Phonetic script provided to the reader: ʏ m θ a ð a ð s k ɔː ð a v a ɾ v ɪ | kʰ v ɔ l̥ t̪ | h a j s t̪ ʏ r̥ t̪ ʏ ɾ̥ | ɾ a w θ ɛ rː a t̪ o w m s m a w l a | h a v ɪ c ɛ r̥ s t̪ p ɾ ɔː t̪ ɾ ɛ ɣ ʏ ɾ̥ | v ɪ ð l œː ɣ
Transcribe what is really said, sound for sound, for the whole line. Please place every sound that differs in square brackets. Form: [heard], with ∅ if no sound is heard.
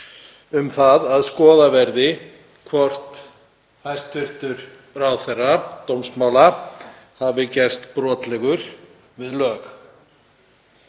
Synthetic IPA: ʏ m θ a ð a ð s k ɔː ð a v [ɛ] ɾ [ð] ɪ | kʰ v ɔ [r̥] t̪ | h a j s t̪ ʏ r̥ t̪ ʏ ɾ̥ | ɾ a w θ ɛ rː a t̪ o w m s m a w l a | h a v ɪ c ɛ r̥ s t̪ p ɾ ɔː t̪ [l] ɛ ɣ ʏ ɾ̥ | v ɪ ð l œː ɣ